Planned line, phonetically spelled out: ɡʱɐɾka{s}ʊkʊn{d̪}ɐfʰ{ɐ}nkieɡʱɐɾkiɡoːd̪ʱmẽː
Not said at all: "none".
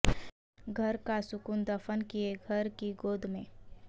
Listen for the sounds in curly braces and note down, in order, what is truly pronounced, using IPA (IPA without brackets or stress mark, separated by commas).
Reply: s, d̪, ə